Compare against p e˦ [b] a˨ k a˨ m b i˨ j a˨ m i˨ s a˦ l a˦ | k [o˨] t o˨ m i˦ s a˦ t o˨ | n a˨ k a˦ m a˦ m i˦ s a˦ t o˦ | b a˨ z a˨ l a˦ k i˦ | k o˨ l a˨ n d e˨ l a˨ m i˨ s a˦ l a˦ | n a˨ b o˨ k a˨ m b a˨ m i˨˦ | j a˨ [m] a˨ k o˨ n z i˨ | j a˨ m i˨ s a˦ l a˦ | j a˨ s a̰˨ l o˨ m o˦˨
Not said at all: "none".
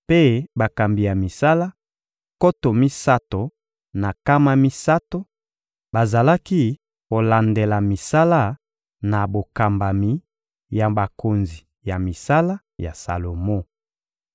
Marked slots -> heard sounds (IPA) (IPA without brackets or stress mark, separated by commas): b, o˦, b